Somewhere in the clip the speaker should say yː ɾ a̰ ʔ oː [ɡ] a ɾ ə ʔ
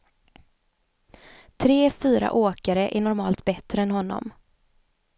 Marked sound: incorrect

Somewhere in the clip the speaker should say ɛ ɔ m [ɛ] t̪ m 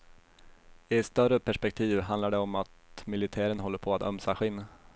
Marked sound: incorrect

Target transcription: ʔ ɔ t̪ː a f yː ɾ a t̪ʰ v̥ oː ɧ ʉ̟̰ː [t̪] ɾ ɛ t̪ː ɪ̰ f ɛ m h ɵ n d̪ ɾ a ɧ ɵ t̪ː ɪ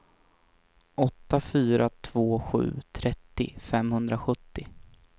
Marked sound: incorrect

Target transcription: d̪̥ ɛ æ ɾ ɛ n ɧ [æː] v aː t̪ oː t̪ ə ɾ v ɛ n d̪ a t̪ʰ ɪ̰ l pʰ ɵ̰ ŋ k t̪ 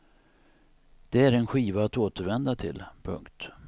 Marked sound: incorrect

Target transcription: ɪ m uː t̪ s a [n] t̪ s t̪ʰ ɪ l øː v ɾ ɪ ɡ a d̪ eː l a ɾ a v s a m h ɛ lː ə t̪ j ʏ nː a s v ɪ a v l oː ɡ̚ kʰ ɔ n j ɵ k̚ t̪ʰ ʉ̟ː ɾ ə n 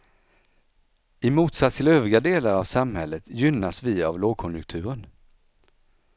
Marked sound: incorrect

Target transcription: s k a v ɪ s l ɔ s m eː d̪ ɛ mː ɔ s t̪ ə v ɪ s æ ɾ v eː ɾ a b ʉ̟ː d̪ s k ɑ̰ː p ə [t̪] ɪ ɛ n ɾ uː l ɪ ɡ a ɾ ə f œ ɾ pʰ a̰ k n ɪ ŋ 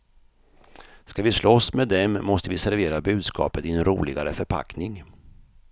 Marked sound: correct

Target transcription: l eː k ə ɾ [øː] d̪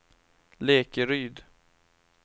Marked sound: incorrect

